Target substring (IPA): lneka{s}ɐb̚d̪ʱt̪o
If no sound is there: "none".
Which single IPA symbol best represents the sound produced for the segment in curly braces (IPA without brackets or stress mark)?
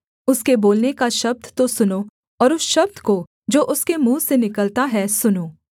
ʃ